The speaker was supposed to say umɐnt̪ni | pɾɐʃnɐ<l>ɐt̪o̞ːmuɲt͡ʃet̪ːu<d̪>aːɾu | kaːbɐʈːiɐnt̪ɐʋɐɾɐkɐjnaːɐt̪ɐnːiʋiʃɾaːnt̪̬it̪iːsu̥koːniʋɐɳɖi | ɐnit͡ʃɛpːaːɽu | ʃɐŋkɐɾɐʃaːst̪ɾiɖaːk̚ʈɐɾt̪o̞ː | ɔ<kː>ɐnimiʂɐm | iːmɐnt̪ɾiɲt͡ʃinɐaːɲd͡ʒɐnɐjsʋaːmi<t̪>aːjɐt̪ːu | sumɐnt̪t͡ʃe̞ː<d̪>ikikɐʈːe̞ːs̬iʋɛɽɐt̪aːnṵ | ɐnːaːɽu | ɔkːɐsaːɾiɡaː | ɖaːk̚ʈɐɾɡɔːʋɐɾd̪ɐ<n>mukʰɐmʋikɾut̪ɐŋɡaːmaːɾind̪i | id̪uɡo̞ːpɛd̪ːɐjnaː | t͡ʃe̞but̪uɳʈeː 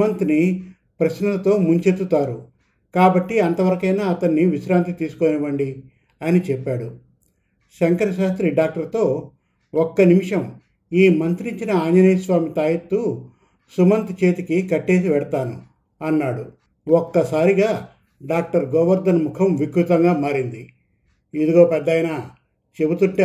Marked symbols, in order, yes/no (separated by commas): yes, no, yes, yes, no, yes